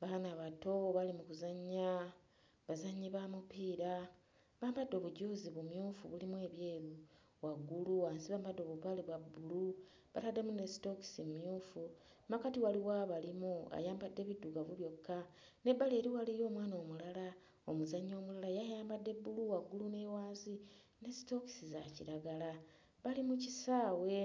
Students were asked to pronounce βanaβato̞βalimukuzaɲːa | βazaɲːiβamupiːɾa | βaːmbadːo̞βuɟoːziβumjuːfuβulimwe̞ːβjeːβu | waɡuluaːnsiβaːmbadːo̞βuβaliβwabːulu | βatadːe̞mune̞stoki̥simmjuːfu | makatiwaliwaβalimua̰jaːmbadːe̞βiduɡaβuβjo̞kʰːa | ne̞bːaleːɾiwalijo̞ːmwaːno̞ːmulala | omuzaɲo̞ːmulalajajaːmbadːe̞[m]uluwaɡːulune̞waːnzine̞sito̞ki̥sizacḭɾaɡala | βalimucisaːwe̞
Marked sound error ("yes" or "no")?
yes